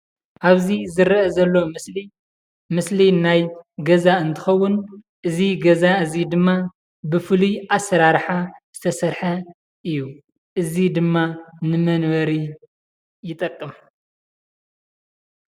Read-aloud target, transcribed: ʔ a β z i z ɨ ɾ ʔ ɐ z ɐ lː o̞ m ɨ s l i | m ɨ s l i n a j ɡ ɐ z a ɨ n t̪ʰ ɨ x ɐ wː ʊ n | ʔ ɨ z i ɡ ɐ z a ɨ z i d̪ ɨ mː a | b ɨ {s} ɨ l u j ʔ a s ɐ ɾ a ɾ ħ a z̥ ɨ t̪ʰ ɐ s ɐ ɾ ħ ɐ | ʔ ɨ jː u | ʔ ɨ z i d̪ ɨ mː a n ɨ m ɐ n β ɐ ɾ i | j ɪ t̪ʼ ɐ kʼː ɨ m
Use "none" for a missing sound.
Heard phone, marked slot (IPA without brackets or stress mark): f